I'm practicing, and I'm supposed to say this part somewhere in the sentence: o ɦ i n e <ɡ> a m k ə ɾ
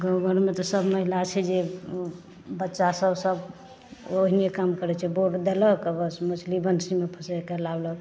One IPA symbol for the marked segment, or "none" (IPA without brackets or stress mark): k